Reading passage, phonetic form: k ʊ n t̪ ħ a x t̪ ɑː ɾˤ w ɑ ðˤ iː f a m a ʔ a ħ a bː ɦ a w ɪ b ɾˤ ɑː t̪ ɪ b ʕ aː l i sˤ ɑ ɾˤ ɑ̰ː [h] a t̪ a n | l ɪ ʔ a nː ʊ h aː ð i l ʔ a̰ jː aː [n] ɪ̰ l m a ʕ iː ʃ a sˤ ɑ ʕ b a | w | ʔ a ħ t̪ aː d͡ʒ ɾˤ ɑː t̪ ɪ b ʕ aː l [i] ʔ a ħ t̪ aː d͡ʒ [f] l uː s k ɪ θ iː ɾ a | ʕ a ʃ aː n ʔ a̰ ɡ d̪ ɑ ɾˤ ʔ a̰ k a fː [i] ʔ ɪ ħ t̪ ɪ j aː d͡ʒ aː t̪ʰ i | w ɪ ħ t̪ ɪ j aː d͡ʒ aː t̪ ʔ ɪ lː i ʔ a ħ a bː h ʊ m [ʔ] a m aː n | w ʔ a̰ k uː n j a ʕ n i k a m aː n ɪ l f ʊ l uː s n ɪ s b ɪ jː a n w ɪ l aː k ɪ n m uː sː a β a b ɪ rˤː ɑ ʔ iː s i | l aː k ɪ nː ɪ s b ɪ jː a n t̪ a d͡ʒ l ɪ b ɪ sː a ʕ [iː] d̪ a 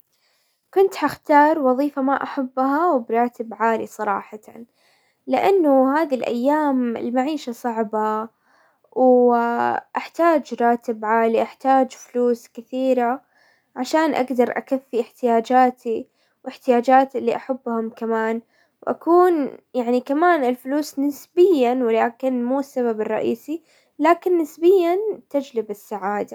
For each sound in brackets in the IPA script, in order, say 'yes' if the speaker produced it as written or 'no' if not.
no, no, yes, yes, yes, no, no

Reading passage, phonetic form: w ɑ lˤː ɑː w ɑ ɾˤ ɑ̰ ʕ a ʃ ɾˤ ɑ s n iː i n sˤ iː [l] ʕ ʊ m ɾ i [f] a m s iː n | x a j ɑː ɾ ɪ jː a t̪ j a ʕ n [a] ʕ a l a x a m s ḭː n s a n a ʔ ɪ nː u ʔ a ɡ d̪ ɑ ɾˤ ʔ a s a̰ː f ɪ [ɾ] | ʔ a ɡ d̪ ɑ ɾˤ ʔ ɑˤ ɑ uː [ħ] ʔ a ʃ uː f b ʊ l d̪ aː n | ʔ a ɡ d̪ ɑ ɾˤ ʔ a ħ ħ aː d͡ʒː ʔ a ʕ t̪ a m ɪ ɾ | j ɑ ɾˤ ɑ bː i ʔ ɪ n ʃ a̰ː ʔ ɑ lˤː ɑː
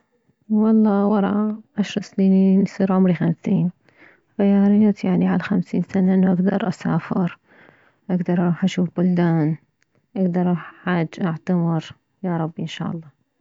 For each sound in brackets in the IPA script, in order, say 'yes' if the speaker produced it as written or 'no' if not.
no, no, no, yes, yes

